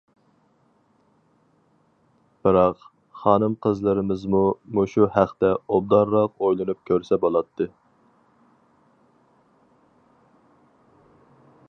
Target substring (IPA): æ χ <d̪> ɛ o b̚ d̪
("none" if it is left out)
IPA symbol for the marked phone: t̪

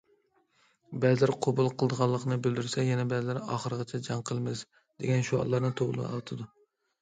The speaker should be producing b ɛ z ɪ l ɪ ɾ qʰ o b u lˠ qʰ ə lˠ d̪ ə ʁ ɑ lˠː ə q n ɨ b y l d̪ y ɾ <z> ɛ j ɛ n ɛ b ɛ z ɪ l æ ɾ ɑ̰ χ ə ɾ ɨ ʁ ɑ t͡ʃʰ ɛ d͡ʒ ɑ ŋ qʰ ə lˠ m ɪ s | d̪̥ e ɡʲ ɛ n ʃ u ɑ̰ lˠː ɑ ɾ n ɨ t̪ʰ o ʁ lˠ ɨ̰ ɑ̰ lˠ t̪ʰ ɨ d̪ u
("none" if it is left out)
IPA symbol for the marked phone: s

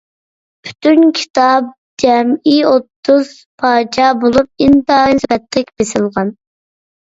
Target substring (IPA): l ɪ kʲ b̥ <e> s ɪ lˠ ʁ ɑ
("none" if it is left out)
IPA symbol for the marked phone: e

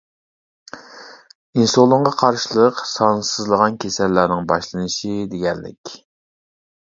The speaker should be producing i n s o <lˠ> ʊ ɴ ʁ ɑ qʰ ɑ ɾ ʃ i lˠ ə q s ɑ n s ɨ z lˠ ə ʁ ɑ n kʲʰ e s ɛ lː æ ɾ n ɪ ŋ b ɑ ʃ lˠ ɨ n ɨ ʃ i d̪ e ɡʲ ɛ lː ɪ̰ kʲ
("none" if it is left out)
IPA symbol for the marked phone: lˠ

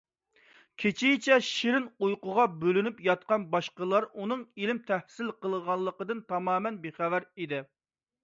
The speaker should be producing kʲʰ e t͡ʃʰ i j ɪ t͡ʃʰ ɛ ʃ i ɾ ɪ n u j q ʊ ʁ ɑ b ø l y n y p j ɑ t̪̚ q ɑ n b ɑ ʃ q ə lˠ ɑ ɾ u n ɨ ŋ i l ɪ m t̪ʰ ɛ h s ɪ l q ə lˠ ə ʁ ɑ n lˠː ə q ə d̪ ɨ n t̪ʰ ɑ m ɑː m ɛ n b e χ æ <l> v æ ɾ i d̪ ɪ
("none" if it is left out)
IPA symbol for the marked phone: none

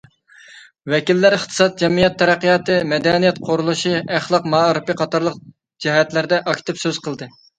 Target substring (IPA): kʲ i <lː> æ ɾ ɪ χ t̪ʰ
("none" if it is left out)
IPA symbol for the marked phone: lː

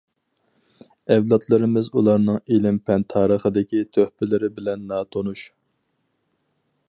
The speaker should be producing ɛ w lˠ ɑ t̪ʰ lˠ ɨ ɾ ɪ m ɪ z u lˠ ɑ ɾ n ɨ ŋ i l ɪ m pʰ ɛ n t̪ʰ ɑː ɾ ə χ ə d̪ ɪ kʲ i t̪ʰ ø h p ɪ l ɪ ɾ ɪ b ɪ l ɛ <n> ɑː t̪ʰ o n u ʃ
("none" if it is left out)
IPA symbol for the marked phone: nː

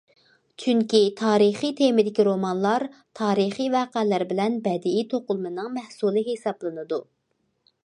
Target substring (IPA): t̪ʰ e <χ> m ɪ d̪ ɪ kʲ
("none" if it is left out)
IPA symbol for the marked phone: none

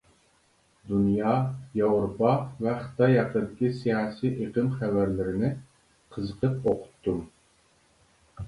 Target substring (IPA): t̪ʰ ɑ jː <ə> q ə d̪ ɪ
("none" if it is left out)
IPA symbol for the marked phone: ɑ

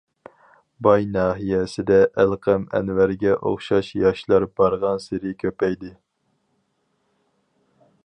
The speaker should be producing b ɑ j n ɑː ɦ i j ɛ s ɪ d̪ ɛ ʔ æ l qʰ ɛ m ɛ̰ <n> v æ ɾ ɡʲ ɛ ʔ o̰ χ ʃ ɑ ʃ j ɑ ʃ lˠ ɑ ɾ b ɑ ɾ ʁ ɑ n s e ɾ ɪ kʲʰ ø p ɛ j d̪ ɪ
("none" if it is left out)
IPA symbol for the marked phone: n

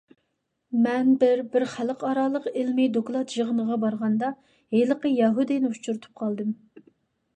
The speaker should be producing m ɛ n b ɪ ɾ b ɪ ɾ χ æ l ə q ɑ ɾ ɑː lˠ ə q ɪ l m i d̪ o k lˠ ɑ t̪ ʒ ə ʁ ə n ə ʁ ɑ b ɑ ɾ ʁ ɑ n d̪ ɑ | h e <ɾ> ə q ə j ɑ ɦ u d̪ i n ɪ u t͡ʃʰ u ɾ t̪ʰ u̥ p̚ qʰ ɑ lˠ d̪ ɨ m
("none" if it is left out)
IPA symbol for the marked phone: l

